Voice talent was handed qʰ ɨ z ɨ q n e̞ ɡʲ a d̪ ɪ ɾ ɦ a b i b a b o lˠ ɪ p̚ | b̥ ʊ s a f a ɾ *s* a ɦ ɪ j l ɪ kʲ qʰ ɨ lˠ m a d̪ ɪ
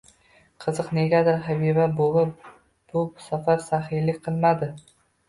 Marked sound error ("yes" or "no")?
no